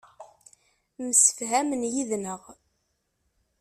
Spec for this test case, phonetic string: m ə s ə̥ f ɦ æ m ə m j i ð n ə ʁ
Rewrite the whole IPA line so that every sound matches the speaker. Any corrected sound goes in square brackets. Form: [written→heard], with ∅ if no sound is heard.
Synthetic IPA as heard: m ə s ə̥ f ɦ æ m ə [m→n] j i ð n ə ʁ